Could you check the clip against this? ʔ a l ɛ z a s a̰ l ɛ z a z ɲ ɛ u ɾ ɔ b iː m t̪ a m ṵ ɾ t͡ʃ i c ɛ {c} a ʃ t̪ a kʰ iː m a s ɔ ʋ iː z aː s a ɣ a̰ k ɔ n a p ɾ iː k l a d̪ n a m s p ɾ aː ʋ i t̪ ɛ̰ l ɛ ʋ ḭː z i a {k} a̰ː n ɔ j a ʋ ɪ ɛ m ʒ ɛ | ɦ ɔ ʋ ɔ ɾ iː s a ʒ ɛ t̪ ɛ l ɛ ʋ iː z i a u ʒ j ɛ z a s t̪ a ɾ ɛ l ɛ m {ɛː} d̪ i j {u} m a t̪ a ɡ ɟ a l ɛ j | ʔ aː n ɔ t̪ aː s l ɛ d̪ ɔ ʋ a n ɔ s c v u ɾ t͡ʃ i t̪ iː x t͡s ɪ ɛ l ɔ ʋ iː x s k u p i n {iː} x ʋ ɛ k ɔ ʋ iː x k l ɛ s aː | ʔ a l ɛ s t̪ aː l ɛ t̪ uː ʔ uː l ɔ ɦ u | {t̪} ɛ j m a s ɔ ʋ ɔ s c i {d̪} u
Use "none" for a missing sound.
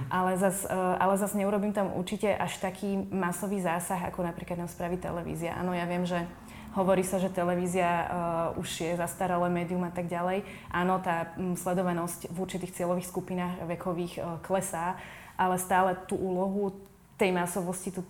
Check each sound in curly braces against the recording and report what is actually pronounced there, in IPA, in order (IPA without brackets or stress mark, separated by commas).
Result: ʔ, ʔ, ɛː, u, aː, t̪, t̪